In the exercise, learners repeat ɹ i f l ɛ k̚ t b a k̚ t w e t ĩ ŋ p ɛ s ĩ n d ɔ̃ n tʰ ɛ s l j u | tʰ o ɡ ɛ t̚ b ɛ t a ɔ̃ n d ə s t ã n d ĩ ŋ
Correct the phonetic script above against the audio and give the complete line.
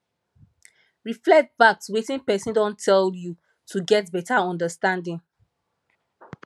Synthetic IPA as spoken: ɹ i f l ɛ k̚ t b a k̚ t w e t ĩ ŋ p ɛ s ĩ n d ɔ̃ n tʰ ɛ l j u | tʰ u ɡ ɛ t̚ b ɛ t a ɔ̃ n d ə s t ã n d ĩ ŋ